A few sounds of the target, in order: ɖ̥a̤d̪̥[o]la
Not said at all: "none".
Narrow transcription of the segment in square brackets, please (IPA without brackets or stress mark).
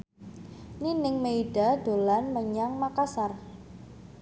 o